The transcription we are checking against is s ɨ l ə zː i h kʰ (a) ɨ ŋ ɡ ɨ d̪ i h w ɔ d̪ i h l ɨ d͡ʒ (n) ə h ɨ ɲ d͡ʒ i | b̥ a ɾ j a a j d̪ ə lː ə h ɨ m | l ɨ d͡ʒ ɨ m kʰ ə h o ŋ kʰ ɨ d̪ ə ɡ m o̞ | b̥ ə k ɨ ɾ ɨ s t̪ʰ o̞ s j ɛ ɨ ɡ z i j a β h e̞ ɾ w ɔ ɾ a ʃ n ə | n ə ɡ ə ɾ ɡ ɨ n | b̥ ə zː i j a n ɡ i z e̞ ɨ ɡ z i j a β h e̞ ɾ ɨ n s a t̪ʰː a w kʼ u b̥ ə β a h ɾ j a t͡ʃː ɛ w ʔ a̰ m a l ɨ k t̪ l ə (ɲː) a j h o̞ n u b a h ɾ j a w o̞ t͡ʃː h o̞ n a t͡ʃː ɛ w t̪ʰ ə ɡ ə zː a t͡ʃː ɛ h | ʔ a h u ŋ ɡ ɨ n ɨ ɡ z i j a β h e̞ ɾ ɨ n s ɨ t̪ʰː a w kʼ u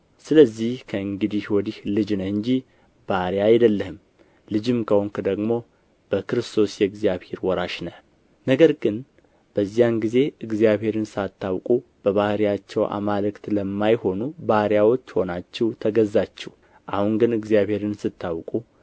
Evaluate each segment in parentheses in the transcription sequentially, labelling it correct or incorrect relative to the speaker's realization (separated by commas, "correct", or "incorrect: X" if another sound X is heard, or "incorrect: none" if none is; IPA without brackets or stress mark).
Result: incorrect: ə, correct, incorrect: mː